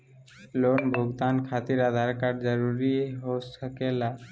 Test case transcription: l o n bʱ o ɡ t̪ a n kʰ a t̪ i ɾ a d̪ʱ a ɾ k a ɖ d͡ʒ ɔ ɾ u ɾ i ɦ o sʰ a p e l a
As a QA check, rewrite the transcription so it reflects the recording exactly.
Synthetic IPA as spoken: l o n bʱ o ɡ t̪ a n kʰ a t̪ i ɾ a d̪ʱ a ɾ k a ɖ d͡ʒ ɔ ɾ u ɾ i ɦ o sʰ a k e l a